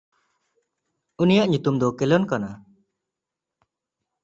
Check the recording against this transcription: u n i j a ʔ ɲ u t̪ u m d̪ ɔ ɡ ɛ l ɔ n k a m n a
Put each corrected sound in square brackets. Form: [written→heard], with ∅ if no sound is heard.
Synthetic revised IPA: u n i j a ʔ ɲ u t̪ u m d̪ ɔ [ɡ→k] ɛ l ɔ n k a [m→∅] n a